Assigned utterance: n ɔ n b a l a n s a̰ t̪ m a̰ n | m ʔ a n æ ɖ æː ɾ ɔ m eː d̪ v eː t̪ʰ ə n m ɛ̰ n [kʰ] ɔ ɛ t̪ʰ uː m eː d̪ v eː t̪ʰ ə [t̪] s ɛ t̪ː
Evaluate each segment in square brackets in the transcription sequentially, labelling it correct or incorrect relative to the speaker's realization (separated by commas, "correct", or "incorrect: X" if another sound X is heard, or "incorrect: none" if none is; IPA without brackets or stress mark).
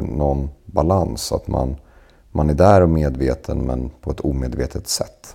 incorrect: pʰ, correct